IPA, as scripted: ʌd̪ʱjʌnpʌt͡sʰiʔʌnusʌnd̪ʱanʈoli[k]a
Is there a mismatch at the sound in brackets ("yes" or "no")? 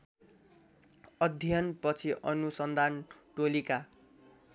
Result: no